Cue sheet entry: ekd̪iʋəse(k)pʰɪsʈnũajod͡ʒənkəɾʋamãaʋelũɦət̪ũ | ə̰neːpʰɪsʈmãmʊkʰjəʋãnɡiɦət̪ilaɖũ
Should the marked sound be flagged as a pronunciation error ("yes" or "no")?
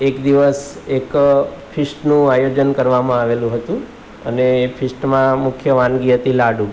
no